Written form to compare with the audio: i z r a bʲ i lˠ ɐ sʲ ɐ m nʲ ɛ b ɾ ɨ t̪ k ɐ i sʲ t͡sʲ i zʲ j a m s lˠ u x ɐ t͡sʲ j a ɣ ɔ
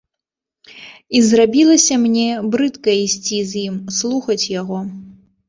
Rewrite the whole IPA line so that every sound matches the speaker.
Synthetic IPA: i z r a bʲ i lˠ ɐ sʲ ɐ m nʲ ɛ b ɾ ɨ t̪ k ɐ i sʲ t͡sʲ i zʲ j i m s lˠ u x ɐ t͡sʲ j a ɣ ɔ